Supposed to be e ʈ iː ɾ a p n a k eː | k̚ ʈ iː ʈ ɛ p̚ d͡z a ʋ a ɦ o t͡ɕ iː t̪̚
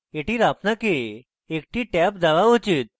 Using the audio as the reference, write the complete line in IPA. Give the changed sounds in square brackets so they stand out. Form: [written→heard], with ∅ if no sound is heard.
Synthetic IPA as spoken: e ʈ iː ɾ a p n a k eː | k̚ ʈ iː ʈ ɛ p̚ d͡z a ʋ a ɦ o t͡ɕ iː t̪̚